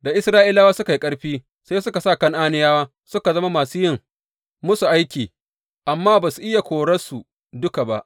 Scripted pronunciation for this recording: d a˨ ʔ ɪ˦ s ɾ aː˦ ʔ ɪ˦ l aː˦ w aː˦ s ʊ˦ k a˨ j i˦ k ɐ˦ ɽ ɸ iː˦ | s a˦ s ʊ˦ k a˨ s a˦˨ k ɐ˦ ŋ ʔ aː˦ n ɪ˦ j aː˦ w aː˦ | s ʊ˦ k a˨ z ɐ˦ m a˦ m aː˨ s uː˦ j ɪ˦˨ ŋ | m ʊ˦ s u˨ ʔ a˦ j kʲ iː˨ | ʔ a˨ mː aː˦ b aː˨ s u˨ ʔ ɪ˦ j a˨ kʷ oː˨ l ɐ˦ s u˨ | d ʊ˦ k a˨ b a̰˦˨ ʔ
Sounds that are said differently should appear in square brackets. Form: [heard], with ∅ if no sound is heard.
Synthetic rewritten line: d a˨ ʔ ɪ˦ s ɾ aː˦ ʔ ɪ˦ l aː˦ w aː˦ s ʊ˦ k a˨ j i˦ [kʼ] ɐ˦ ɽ ɸ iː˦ | s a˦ s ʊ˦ k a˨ s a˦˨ k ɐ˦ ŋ ʔ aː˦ n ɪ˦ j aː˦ w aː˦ | s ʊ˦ k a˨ z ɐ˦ m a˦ m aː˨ s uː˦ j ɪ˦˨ ŋ | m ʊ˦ s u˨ ʔ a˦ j kʲ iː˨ | ʔ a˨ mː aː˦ b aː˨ s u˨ ʔ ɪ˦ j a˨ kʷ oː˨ [ɽ] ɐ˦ s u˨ | d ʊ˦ k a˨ b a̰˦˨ ʔ